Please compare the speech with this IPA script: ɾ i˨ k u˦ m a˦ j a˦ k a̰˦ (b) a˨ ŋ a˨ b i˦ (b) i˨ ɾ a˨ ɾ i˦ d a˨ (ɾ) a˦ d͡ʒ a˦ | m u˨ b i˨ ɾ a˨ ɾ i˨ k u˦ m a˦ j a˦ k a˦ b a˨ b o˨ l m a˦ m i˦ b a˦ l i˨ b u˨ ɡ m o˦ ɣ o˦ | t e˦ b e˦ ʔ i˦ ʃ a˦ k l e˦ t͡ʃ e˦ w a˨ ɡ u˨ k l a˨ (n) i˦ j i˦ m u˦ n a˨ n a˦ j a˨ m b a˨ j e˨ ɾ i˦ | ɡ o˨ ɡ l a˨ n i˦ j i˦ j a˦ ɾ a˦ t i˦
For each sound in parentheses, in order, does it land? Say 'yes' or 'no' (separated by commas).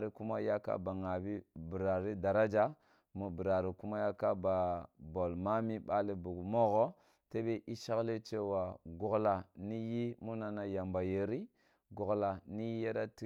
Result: yes, yes, yes, yes